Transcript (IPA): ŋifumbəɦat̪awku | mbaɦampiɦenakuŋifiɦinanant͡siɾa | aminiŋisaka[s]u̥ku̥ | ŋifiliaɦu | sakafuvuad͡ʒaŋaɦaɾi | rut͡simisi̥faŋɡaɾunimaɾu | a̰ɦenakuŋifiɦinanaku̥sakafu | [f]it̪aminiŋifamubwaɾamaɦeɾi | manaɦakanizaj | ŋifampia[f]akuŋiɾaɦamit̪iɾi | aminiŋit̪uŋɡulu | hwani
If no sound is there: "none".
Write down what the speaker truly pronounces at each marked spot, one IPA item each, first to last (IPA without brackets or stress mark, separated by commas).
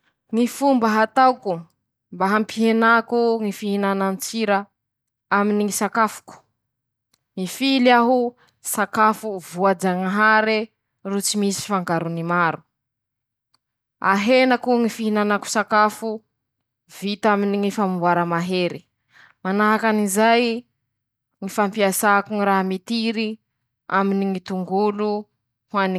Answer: f, v, s